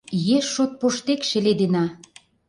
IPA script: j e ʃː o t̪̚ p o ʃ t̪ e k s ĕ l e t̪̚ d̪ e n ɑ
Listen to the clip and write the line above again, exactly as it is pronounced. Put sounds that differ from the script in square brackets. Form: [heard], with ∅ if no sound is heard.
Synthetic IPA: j e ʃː o t̪̚ p o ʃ t̪ e k [ʃ] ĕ l e [∅] d̪ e n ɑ

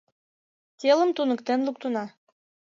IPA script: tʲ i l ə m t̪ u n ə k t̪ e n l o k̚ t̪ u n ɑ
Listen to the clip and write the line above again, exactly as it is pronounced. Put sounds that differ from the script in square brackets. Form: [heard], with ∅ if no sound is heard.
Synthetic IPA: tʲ [e] l ə m t̪ u n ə k t̪ e n l [u] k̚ t̪ u n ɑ

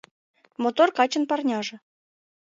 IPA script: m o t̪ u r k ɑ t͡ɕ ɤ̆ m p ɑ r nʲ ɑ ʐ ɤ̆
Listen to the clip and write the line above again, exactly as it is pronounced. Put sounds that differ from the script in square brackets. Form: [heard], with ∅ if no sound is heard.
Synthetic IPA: m o t̪ [o] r k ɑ t͡ɕ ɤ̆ [n] p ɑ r nʲ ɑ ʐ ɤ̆

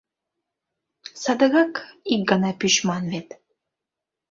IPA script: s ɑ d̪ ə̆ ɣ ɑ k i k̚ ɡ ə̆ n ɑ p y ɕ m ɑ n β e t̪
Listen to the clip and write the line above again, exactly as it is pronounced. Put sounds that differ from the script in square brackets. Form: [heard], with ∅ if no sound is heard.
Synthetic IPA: s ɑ d̪ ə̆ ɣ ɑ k i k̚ ɡ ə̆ n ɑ p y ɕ m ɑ n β e t̪

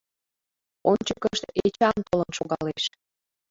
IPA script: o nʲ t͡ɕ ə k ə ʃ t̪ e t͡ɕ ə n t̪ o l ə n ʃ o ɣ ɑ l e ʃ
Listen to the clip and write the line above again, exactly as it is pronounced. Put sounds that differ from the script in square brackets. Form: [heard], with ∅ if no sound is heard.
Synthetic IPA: o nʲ t͡ɕ ə k ə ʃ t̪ e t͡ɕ [ɑ] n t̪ o l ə n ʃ o ɣ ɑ l e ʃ

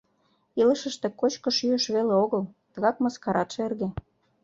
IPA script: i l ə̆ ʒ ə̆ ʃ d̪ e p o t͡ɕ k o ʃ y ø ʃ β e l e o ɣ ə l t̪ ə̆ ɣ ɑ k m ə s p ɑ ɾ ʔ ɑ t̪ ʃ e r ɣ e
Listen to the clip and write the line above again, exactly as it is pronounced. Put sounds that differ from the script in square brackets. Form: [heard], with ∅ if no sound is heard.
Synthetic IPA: i l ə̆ [ʃ] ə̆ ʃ [t̪] e [k] o t͡ɕ k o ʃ y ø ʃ β e l e o ɣ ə l t̪ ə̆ ɣ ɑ k m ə s [k] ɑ ɾ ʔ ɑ t̪ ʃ e r ɣ e

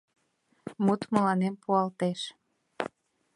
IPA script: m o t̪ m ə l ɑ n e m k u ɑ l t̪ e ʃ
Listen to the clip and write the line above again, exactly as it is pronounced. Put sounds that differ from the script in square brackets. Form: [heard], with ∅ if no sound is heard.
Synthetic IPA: m [u] t̪ m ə l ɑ n e m [p] u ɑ l t̪ e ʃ

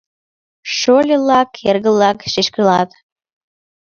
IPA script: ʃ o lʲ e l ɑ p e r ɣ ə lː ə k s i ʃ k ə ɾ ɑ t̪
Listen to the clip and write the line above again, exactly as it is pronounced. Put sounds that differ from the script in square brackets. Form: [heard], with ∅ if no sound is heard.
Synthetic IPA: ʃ o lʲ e l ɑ [k] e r ɣ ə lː [ɑ] k [ʃ] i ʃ k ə [l] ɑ t̪

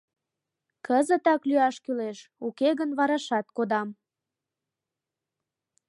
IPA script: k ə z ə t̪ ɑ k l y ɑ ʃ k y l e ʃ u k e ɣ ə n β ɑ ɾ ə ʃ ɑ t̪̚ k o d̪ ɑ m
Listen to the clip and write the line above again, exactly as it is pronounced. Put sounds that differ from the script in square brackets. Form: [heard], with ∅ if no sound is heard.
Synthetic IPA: k ə z ə t̪ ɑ k l y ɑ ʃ k y l e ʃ u k e ɣ ə n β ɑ ɾ [ɑ] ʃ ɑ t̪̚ k o d̪ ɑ m

